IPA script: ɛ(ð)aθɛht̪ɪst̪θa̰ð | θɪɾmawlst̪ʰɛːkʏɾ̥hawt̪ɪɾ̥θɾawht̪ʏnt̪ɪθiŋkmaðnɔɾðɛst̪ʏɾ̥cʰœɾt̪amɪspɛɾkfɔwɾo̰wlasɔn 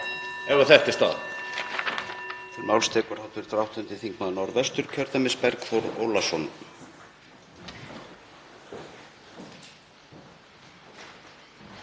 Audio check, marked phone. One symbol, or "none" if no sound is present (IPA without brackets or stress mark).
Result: v